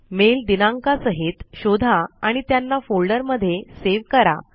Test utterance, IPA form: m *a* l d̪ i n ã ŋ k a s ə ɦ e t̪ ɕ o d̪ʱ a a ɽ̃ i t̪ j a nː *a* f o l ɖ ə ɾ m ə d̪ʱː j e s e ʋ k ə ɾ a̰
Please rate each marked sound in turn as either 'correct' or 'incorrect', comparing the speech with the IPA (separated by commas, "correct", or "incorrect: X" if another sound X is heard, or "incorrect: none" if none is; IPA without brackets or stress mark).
incorrect: e, correct